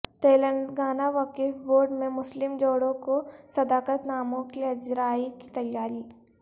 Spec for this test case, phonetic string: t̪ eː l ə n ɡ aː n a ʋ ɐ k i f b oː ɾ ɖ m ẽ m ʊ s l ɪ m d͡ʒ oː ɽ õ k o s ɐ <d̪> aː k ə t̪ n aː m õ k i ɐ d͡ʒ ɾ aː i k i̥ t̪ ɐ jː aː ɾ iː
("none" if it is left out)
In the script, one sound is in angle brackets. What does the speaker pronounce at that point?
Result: d̪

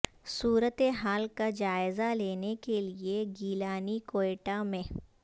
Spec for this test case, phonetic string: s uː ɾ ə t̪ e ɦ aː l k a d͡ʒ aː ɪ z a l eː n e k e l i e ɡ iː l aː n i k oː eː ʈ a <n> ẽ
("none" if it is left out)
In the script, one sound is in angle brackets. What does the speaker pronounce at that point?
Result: m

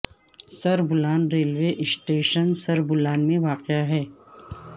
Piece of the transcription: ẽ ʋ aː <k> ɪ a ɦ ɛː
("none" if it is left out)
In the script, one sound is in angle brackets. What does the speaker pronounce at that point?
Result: q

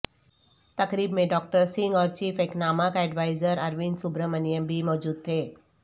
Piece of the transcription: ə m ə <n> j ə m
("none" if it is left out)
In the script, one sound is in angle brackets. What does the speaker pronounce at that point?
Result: n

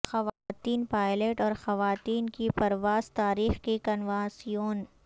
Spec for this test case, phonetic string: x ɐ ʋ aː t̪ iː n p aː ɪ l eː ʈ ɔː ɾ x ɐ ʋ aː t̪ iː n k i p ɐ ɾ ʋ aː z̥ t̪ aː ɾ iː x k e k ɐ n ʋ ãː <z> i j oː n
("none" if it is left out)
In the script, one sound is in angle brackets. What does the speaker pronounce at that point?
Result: s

